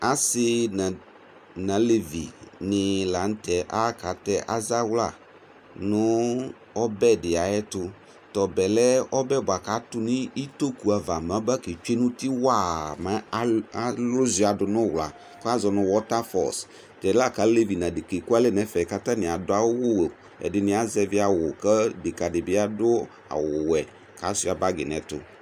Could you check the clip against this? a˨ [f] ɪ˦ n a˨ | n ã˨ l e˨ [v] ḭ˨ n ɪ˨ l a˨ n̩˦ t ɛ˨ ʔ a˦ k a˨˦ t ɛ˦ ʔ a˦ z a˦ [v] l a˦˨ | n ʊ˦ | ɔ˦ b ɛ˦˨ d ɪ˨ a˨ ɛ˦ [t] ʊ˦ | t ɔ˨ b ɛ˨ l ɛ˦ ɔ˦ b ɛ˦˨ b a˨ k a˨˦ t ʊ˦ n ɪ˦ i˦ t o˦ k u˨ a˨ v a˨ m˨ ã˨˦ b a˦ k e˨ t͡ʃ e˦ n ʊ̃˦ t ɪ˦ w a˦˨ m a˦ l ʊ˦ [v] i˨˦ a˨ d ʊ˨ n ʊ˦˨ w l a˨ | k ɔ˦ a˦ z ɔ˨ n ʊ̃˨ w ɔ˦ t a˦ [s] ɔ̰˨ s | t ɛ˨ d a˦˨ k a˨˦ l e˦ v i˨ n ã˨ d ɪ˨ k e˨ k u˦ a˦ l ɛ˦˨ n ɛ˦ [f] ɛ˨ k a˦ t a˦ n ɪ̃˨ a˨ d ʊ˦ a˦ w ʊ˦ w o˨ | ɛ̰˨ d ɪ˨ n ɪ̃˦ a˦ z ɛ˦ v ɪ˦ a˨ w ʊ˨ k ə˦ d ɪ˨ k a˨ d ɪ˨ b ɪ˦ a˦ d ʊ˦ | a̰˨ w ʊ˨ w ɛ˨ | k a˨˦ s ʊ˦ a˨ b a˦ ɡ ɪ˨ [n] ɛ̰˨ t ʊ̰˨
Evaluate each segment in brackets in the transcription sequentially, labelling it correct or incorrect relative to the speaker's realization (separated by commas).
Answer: incorrect, correct, incorrect, correct, incorrect, incorrect, correct, correct